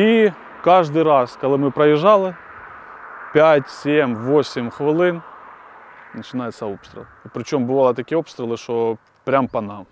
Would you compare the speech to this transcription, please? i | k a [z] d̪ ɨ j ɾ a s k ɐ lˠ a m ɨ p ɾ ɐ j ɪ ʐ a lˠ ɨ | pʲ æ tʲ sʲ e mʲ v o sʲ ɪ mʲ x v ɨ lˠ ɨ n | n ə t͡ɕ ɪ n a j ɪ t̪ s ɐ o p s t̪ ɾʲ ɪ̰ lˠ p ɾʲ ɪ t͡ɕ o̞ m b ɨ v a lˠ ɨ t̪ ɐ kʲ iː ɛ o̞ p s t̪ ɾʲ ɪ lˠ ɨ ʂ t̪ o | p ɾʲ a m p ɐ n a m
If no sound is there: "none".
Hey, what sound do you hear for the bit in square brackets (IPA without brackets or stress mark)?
ʐ